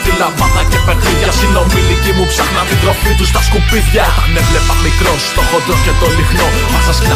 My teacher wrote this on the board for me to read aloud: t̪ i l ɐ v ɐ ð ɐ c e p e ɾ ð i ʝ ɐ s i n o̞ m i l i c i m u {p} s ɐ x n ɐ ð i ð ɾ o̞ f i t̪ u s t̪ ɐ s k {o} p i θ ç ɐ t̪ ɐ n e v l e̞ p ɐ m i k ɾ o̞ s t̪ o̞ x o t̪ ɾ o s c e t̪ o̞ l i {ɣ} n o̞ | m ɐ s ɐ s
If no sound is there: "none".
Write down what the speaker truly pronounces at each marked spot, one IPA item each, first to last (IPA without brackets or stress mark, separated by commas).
p, u, x